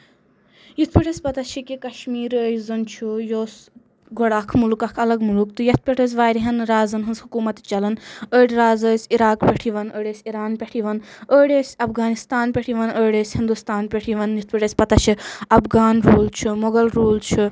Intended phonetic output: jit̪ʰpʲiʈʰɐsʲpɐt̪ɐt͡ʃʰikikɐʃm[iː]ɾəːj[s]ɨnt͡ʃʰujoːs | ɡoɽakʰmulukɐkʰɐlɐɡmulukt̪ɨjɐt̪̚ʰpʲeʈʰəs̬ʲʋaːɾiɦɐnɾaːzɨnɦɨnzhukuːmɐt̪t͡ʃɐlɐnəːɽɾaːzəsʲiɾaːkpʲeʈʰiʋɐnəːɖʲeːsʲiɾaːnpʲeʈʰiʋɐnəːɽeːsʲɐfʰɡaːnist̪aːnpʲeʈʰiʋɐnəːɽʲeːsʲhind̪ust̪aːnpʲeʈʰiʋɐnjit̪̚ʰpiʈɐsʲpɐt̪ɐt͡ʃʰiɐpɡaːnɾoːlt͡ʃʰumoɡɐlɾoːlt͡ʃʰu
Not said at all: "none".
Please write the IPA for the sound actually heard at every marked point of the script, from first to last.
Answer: iː, z

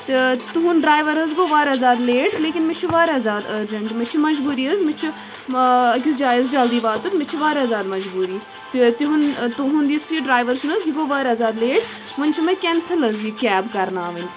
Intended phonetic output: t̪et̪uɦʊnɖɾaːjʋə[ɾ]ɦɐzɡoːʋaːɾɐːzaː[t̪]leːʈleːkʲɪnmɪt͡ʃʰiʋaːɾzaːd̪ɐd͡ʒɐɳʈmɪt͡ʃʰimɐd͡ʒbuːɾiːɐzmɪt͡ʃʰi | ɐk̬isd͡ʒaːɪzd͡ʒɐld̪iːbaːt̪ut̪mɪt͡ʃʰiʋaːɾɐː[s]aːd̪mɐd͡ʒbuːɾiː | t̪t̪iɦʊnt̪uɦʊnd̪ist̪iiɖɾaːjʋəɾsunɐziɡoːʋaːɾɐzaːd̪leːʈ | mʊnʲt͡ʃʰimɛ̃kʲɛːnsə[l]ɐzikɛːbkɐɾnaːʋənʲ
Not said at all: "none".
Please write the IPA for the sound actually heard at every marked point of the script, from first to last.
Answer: ɾ, d̪, z, l

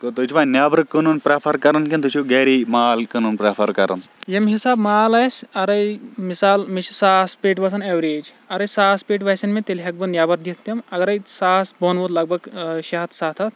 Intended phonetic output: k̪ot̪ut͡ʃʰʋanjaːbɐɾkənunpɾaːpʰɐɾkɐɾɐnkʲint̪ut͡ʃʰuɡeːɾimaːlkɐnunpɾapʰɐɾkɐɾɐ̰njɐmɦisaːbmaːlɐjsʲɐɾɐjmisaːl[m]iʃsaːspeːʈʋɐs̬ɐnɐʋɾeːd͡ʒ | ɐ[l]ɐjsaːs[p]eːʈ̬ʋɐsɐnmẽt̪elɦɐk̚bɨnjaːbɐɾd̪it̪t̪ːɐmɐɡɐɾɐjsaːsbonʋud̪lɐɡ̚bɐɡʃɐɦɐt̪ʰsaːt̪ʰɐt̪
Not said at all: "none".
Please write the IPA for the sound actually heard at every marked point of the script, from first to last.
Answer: m, ɾ, p

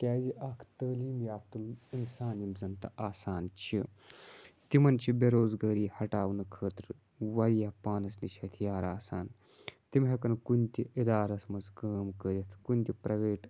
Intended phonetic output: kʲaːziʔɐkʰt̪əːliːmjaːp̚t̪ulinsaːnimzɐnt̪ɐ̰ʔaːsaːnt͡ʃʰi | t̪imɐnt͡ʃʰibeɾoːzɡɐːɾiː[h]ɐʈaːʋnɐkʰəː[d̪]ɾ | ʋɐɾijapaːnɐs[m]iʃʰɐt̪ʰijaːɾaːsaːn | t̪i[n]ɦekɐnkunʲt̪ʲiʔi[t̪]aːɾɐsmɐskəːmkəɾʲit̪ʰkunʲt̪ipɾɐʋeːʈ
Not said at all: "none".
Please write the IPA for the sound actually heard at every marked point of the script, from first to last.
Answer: h, t̪, n, m, d̪

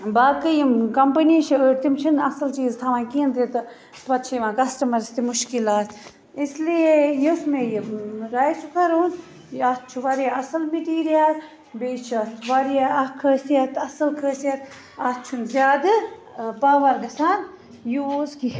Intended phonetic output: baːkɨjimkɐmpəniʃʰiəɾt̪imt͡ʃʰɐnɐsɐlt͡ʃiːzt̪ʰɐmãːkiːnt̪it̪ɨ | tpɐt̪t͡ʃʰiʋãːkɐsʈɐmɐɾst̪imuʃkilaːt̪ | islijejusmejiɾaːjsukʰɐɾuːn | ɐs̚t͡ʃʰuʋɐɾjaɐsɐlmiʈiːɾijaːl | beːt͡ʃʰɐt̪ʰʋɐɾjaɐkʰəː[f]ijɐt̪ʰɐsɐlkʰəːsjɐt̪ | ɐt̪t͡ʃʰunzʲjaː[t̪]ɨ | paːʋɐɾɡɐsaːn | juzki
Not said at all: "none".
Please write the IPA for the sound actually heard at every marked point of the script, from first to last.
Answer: s, d̪

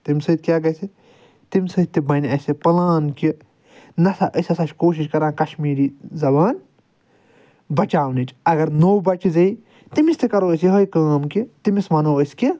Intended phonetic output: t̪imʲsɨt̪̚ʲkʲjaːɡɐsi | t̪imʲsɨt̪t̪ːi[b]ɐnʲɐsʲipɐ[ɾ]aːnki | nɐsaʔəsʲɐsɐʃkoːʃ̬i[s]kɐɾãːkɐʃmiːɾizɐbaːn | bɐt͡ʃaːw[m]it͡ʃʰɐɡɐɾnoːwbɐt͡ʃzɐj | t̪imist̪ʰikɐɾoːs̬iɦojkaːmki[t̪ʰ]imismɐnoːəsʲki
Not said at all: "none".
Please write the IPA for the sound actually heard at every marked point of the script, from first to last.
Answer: b, l, ʃ, n, t̪

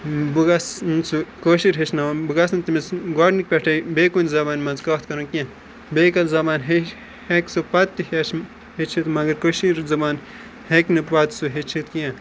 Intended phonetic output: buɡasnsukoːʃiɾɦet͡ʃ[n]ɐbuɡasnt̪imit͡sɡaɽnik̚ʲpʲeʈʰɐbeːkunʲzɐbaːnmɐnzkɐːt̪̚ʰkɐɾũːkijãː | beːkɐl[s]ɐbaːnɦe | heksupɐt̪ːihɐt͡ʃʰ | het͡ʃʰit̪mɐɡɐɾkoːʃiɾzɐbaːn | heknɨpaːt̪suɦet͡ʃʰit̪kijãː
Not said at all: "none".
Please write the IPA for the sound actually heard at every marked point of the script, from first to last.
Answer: n, z

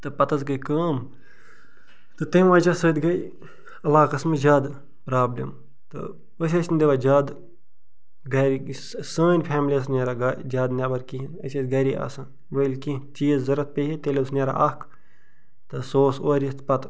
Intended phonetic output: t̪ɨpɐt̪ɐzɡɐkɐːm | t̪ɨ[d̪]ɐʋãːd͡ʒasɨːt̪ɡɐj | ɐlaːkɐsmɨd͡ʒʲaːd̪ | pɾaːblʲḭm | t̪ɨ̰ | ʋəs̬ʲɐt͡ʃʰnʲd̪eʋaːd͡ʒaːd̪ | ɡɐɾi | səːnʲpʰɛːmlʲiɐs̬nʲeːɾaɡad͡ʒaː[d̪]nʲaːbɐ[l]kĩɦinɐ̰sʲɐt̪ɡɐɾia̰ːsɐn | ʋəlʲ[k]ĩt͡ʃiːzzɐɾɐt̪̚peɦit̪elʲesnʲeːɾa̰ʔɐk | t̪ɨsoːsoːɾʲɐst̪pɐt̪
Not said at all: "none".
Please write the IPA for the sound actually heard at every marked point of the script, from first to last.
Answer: t̪, d̪, ɾ, k

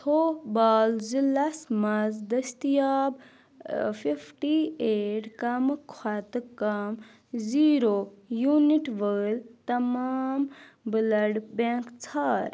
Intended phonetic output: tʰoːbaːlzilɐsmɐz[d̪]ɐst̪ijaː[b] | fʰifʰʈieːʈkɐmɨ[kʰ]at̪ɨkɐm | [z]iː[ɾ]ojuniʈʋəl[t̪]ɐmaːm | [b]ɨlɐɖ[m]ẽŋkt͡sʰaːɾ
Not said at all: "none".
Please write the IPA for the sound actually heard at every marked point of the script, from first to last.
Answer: d̪, b, kʰ, z, ɾ, t̪, b, b

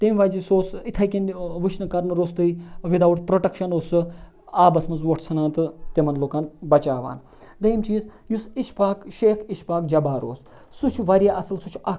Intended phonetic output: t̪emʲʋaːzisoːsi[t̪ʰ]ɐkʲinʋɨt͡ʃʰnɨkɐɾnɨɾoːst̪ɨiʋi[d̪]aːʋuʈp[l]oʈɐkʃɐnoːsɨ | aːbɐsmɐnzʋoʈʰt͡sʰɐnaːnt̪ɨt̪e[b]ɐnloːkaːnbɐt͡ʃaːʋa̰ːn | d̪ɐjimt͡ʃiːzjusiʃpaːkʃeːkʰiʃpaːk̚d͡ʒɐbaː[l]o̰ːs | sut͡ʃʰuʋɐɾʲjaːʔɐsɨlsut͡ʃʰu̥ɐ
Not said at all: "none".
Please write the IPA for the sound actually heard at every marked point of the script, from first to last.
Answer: t̪ʰ, d̪, ɾ, m, ɾ

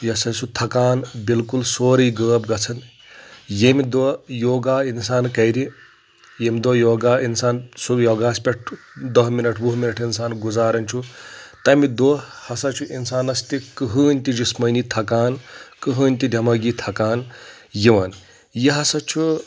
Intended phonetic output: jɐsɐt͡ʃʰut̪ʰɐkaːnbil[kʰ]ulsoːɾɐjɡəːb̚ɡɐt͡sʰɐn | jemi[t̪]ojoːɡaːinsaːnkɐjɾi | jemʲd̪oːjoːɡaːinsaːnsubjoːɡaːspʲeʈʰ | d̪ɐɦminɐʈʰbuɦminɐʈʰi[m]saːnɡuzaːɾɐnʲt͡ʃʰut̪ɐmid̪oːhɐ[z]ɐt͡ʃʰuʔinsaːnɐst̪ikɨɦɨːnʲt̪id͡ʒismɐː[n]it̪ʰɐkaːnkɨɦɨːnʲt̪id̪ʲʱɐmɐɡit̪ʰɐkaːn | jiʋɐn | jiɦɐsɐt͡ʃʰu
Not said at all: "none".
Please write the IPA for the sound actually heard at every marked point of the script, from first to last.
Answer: k, d̪, n, s, n

